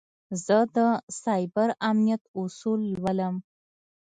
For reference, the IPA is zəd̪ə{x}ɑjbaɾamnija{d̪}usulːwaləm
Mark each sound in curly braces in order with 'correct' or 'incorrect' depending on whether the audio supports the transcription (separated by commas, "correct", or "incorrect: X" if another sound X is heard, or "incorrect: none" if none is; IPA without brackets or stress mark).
incorrect: s, incorrect: t̪